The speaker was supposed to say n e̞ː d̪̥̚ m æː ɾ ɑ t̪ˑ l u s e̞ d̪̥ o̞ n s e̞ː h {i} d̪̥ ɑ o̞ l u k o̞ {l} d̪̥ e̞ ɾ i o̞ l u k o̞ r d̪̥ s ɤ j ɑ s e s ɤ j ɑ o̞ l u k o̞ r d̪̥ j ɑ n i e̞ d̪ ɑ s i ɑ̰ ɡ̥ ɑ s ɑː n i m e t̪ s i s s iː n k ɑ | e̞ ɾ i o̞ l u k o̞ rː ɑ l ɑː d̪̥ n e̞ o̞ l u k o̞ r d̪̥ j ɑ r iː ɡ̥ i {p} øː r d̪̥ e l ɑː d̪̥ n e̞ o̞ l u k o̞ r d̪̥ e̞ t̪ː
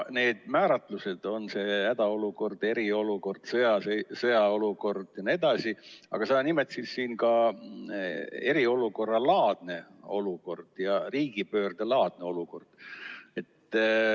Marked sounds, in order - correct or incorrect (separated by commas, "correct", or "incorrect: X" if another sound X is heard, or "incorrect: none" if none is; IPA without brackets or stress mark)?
incorrect: æ, incorrect: r, correct